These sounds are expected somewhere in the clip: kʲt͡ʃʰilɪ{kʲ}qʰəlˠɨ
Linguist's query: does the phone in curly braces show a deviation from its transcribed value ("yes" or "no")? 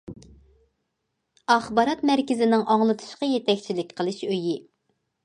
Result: no